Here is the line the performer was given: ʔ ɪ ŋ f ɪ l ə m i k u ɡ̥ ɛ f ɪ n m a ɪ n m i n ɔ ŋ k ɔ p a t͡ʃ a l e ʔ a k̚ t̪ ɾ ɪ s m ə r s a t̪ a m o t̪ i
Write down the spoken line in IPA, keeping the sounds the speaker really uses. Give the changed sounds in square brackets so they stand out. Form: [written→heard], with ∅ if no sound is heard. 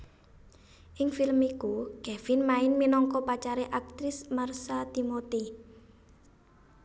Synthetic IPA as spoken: ʔ ɪ ŋ f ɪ l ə m i k u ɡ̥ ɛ f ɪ n m a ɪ n m i n ɔ ŋ k ɔ p a t͡ʃ a [l→ɾ] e ʔ a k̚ t̪ ɾ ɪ s m [ə→a] r s a t̪ [a→i] m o t̪ i